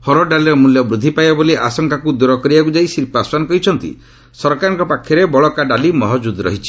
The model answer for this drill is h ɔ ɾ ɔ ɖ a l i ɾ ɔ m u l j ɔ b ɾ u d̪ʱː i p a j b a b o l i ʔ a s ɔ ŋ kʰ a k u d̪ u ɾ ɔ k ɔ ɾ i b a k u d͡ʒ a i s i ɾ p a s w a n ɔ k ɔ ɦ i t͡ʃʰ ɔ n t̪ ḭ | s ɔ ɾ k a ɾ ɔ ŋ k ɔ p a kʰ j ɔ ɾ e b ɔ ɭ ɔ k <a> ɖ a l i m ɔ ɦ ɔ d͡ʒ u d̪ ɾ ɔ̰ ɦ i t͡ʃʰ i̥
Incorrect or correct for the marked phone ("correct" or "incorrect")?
correct